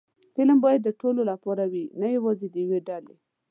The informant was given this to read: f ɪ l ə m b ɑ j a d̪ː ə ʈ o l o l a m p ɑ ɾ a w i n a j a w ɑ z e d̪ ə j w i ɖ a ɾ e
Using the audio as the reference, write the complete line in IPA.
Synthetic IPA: f ɪ l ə m b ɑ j a d̪ː ə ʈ o l o l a p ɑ ɾ a w i n a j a w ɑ z e d̪ ə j w e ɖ a l e